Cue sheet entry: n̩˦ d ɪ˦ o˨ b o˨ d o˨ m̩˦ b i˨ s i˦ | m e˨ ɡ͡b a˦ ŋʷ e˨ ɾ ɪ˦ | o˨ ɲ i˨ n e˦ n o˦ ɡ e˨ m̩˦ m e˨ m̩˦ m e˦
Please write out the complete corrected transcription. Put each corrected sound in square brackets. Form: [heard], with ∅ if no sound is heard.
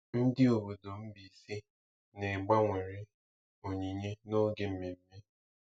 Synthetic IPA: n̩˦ d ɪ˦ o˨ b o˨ d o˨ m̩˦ b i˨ s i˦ | [n] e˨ ɡ͡b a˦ ŋʷ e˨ ɾ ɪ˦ | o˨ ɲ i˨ [ɲ] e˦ n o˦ ɡ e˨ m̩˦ m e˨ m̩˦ m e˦